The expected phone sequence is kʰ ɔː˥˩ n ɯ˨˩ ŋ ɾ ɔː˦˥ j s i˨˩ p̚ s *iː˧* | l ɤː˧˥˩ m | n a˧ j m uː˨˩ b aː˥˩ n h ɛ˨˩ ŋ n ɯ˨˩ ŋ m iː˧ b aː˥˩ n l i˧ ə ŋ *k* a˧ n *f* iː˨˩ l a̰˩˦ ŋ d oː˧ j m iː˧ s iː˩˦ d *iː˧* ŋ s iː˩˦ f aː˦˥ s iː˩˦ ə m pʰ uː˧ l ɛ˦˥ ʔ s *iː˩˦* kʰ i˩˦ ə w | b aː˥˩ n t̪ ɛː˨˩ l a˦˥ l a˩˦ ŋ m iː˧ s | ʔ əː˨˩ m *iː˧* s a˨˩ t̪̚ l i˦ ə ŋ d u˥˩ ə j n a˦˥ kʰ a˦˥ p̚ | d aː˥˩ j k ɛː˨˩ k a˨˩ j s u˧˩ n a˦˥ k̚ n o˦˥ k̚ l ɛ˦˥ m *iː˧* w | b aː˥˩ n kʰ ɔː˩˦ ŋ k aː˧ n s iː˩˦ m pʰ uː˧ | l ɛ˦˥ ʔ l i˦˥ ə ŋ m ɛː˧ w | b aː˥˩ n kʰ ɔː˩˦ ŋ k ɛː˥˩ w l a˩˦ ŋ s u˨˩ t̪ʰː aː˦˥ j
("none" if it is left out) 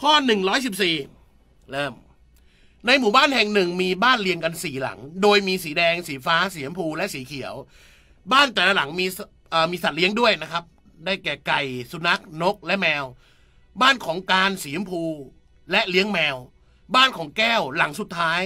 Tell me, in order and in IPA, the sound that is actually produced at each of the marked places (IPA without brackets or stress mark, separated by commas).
iː˨˩, k, s, ɛː˧, iː˩˦, iː˧, ɛː˧